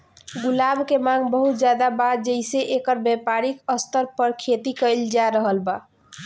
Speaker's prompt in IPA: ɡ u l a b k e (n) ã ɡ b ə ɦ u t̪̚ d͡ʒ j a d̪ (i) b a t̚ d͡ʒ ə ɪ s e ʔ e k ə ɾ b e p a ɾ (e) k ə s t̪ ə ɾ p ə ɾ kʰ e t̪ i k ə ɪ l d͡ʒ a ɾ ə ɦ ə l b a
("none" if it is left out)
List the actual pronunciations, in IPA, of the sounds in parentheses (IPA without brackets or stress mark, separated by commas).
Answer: m, a, i